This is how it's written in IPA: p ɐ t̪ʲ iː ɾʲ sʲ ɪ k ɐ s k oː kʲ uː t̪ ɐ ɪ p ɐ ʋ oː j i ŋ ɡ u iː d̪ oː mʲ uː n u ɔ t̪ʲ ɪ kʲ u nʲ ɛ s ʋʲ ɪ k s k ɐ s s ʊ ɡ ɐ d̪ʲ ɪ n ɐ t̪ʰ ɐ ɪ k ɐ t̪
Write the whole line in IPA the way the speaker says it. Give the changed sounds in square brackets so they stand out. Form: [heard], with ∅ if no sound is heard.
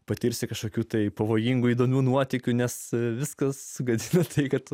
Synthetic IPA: p ɐ t̪ʲ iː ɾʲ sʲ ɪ k ɐ [ʃ] k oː kʲ uː t̪ ɐ ɪ p ɐ ʋ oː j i ŋ ɡ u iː d̪ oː mʲ uː n u ɔ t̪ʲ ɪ kʲ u nʲ ɛ s ʋʲ ɪ [∅] s k ɐ s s ʊ ɡ ɐ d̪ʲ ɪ n ɐ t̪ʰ ɐ ɪ k ɐ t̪